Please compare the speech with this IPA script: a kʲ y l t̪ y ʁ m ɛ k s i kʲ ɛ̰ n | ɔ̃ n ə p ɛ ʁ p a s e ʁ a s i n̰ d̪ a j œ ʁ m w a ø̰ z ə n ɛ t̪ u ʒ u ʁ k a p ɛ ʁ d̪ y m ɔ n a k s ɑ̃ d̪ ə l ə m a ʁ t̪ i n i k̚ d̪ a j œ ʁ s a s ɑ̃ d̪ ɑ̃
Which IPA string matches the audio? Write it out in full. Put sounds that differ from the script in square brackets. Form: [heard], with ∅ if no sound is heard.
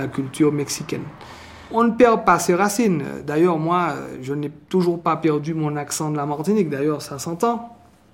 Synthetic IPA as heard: a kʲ y l t̪ y ʁ m ɛ k s i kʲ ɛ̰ n | ɔ̃ n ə p ɛ ʁ p a s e ʁ a s i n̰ d̪ a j œ ʁ m w a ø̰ [ʒ] ə n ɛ t̪ u ʒ u ʁ [p] a p ɛ ʁ d̪ y m [ɔ̃] n a k s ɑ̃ d̪ ə l [a] m a ʁ t̪ i n i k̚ d̪ a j œ ʁ s a s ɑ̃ [t̪] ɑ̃